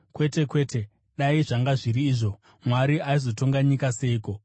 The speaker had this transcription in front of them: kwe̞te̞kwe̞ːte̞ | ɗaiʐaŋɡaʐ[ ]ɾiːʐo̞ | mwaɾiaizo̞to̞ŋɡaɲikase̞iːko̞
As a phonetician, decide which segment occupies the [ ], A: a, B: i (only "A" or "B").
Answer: B